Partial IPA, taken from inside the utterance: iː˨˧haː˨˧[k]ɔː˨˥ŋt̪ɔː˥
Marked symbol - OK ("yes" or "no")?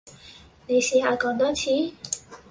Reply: yes